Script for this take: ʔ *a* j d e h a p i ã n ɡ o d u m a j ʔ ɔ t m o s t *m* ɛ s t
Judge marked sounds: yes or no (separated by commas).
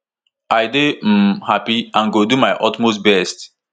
yes, no